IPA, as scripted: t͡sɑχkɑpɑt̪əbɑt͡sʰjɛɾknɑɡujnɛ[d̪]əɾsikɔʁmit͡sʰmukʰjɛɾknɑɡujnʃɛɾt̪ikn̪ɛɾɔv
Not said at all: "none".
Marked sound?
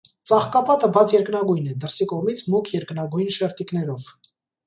d̪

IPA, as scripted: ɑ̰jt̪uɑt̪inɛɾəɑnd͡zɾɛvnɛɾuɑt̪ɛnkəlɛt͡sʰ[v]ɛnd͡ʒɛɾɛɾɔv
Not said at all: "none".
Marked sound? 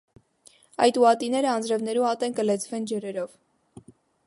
v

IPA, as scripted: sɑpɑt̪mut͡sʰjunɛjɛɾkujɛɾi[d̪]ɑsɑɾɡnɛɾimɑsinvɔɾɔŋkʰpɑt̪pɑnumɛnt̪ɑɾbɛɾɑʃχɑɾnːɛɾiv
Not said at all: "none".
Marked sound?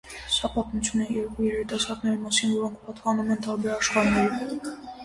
t̪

